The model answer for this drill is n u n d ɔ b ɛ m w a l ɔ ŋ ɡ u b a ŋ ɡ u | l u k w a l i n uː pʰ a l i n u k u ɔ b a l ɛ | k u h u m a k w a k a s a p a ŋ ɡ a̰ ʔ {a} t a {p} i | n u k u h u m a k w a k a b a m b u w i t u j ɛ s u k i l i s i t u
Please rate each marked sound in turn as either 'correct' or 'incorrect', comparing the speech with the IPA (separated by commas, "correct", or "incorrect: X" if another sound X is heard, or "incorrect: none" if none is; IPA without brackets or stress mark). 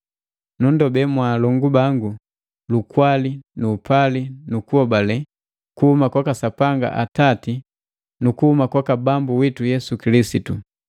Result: correct, incorrect: t